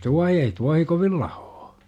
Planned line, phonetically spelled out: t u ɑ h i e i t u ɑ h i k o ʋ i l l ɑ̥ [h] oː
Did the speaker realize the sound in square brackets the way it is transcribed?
yes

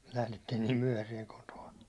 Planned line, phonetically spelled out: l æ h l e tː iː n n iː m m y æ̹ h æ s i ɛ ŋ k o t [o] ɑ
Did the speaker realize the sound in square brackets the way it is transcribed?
yes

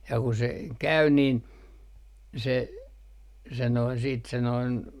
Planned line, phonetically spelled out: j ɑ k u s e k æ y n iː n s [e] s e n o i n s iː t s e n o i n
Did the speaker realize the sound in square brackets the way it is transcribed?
yes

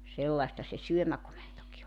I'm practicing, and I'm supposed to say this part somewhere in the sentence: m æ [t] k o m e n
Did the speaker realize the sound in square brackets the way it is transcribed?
no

